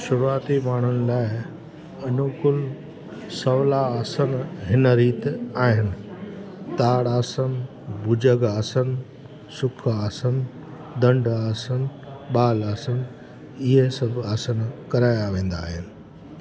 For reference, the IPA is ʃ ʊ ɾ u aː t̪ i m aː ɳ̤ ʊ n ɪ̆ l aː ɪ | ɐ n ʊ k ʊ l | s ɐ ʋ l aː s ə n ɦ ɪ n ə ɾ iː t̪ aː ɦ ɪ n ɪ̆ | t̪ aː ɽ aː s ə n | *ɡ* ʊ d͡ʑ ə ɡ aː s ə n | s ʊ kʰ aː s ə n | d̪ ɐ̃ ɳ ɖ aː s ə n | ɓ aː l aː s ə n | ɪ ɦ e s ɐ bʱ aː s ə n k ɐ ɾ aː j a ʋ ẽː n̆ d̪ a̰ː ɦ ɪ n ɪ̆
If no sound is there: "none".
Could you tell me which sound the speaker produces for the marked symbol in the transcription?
b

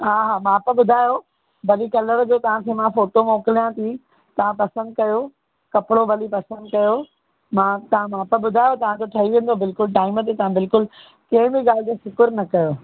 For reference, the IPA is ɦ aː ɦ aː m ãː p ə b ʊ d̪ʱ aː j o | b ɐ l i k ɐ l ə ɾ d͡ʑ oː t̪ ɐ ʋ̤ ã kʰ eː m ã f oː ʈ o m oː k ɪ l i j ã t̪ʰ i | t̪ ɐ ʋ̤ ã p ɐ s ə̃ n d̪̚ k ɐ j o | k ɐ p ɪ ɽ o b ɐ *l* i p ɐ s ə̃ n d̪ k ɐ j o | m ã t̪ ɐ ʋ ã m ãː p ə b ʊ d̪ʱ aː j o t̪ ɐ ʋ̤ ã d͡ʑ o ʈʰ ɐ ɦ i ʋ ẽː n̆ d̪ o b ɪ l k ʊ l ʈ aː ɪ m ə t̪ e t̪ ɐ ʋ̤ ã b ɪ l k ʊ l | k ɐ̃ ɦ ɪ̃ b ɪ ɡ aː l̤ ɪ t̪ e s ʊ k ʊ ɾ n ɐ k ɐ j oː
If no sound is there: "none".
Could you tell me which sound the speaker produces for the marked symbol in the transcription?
l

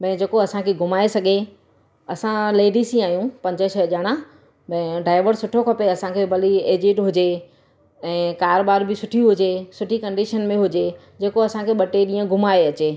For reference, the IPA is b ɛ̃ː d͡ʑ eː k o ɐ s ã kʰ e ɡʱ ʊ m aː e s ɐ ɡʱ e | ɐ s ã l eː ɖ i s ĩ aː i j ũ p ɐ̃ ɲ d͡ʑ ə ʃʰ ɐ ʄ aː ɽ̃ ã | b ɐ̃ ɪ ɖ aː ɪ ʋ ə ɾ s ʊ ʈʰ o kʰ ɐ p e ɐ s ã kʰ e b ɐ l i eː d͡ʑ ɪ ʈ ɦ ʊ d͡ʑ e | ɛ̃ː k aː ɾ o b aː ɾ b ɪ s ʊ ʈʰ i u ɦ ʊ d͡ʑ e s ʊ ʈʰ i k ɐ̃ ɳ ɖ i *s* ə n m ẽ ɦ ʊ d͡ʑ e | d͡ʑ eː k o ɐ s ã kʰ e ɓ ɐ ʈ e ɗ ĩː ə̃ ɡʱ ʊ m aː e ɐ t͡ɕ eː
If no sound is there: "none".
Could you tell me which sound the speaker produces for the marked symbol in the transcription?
ʃ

